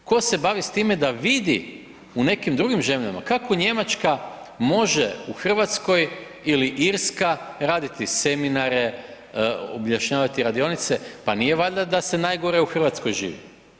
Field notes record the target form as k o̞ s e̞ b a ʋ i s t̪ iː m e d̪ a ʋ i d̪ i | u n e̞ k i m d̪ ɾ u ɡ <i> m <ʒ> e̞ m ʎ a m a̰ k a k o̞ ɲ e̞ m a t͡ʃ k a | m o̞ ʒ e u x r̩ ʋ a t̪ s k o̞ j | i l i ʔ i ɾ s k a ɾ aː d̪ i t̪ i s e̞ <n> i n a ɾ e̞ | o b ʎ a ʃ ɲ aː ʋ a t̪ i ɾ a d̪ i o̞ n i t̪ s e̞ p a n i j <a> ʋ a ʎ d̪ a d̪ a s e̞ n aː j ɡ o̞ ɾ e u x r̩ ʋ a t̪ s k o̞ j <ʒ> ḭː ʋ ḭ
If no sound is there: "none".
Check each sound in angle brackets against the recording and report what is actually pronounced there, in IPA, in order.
i, ʒ, m, e, ʒ

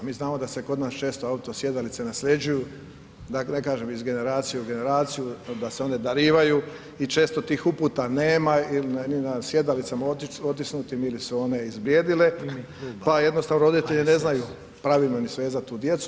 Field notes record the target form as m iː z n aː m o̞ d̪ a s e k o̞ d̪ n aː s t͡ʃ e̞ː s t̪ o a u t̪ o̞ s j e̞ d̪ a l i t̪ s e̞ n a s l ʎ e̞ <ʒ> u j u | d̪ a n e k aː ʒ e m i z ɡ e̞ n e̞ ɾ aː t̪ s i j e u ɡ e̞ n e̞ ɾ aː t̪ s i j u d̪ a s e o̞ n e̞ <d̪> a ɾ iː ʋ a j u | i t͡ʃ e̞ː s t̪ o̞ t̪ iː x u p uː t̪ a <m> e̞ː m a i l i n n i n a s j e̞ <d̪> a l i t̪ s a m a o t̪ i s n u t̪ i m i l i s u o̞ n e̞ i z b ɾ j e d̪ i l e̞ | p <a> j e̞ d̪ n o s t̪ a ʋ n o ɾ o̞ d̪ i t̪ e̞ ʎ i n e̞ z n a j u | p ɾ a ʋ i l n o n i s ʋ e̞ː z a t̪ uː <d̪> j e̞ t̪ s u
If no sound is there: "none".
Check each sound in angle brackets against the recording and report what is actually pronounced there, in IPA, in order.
d͡ʒ, d̪, n, d̪, a, d̪

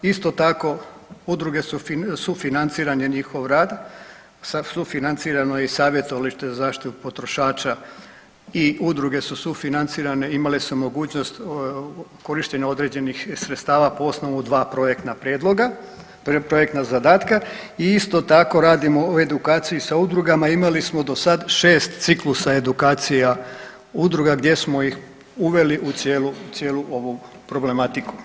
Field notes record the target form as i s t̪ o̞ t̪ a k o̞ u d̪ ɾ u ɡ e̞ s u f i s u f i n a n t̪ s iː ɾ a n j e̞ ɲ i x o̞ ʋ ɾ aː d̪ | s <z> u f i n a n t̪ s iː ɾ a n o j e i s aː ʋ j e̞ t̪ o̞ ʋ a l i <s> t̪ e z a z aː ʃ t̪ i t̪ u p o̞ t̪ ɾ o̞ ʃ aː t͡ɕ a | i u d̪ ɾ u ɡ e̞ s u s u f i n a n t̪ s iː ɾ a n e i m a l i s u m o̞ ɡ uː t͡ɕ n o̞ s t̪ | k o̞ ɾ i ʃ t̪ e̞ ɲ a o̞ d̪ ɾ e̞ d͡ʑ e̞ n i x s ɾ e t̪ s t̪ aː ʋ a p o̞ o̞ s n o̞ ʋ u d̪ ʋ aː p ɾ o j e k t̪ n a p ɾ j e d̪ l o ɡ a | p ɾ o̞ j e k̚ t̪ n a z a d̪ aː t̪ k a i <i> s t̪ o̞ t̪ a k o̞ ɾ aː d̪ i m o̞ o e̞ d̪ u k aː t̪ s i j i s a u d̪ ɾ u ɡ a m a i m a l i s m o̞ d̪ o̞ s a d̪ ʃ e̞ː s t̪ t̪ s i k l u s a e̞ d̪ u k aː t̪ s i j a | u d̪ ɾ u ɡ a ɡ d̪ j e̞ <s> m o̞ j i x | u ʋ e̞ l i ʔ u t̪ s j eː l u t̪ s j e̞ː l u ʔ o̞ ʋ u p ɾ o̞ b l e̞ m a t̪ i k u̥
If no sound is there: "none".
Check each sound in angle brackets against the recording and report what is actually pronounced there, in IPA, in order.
s, ʃ, i, s

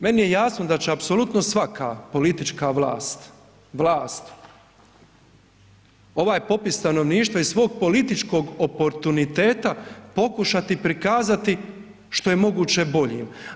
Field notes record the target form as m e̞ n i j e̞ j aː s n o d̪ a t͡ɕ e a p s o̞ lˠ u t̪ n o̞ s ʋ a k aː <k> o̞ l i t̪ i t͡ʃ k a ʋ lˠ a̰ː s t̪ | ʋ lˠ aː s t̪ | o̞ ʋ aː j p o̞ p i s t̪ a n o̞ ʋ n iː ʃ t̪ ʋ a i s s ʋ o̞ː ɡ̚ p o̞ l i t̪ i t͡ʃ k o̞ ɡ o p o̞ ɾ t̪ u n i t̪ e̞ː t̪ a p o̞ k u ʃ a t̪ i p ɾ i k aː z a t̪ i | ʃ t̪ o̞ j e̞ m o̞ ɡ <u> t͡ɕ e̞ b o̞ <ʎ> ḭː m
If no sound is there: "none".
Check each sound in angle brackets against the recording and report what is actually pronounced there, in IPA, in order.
p, uː, ʎ

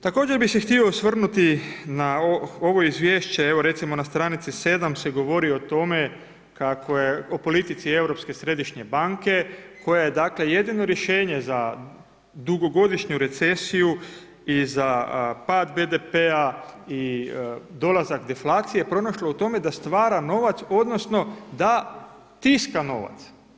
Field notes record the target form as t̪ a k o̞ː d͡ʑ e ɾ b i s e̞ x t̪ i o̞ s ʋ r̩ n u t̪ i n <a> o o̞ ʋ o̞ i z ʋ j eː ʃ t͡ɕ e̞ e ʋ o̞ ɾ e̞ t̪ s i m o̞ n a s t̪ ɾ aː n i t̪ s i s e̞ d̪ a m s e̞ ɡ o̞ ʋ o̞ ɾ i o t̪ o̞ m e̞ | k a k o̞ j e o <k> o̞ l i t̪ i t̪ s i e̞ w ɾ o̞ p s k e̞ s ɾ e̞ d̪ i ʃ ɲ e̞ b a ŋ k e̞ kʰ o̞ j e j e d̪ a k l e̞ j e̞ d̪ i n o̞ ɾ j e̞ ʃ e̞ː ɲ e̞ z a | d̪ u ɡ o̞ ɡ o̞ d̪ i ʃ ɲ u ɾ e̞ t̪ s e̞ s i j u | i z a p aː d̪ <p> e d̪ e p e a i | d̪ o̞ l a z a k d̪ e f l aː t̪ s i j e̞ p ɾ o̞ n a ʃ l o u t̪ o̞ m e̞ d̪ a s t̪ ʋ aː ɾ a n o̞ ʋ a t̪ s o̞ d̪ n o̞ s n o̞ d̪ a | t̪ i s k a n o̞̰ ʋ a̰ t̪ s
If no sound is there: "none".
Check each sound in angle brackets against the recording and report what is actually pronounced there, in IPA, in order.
a, p, b

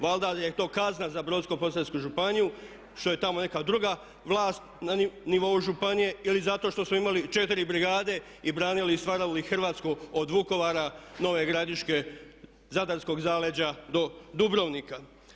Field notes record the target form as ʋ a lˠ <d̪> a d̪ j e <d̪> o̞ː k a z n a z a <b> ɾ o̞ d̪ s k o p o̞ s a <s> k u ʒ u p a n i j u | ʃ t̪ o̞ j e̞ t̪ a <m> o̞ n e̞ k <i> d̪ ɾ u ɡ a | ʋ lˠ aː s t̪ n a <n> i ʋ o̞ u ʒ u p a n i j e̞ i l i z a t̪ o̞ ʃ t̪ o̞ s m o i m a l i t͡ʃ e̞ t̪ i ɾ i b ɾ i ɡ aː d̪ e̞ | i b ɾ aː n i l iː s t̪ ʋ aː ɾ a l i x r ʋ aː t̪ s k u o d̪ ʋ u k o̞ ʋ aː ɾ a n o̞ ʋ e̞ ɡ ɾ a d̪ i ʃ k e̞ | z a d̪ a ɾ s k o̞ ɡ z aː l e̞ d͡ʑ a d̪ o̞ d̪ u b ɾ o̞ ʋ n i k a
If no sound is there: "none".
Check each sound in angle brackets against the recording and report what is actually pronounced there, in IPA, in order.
d̪, t̪, b, s, m, a, n

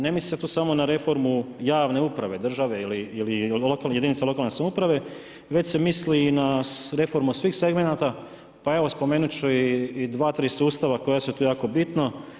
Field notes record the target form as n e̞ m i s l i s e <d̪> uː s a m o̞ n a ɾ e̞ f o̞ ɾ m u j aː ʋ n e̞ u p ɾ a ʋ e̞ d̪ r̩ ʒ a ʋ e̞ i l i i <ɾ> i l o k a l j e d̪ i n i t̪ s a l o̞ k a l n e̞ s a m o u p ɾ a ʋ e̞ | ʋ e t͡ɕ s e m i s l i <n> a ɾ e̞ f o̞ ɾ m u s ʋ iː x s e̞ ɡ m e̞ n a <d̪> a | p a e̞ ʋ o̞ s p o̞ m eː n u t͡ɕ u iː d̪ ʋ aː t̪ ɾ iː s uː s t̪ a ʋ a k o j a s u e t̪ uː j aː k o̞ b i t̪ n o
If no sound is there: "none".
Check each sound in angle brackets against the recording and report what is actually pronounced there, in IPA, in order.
t̪, l, n, t̪

